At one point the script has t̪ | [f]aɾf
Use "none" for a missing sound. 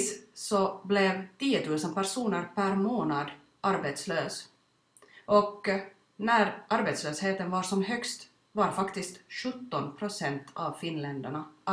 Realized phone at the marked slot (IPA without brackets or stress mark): v